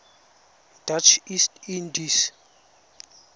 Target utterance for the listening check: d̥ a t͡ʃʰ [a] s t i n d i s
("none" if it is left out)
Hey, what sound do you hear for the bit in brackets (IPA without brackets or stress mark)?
i